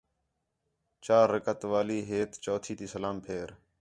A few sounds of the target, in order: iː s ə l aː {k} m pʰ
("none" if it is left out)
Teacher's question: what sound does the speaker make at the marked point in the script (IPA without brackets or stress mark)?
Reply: none